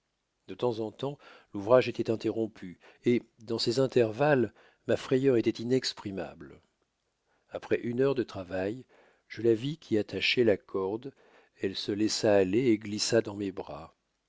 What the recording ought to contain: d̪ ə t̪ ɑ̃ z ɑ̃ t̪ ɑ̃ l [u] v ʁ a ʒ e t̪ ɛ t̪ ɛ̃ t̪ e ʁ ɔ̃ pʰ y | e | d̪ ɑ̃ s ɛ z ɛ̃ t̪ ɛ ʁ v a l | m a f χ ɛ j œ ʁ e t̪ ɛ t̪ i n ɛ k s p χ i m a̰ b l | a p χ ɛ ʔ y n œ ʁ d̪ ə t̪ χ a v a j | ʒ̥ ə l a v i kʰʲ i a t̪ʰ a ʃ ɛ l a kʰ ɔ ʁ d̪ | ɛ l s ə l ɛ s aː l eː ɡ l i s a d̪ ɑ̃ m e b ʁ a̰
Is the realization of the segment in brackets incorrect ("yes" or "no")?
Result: no